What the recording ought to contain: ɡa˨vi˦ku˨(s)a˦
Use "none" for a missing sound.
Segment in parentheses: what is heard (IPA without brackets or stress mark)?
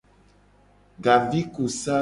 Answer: s